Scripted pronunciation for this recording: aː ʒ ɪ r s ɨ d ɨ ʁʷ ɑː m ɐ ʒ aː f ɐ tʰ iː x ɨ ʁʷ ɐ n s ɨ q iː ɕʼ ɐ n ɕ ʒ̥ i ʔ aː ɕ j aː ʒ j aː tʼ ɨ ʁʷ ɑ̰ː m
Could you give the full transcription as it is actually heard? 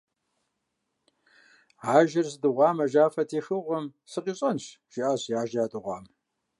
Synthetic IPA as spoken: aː ʒ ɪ r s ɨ d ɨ ʁʷ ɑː m ɐ ʒ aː f ɐ tʰ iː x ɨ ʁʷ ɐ m s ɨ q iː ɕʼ ɐ n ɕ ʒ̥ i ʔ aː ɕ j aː ʒ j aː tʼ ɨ ʁʷ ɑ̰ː m